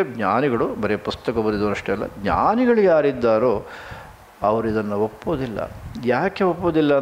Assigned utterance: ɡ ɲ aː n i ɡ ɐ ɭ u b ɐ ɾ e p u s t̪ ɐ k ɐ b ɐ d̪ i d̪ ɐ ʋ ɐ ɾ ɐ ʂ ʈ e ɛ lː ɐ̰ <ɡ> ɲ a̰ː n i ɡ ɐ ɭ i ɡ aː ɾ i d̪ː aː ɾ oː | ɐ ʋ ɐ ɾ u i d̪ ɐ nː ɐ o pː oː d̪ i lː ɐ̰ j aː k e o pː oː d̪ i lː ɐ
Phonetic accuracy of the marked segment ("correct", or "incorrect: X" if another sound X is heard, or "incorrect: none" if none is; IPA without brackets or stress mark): correct